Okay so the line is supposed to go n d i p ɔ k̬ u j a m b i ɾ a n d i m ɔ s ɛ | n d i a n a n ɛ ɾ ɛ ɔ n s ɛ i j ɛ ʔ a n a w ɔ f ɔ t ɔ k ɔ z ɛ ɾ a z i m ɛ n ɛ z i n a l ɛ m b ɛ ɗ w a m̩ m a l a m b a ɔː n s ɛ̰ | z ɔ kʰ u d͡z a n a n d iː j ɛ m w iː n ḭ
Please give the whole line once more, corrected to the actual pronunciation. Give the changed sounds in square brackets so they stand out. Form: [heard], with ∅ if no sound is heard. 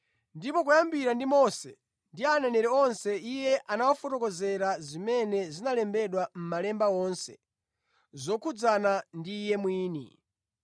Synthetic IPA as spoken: n d i p ɔ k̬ u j a m b i ɾ a n d i m ɔ s ɛ | n d i a n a n ɛ ɾ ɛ ɔ n s ɛ i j ɛ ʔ a n a w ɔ f ɔ t ɔ k ɔ z ɛ ɾ a z i m ɛ n ɛ z i n a l ɛ m b ɛ ɗ w a m̩ m a l [ɛ] m b a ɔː n s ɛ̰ | z ɔ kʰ u d͡z a n a n d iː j ɛ m w iː n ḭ